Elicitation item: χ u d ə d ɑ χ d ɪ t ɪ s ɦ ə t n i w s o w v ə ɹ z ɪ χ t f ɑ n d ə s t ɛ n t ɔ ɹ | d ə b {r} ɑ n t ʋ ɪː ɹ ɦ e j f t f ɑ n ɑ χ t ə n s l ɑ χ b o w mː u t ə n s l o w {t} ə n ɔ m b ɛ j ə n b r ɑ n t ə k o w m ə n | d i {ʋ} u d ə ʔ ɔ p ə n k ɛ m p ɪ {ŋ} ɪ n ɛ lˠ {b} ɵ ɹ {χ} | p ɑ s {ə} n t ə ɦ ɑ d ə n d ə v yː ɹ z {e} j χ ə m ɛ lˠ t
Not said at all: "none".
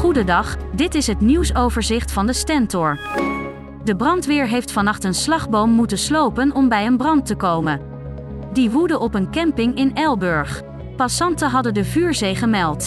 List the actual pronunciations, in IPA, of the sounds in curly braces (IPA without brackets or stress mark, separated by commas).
r, p, ʋ, ŋ, b, χ, ɑ, e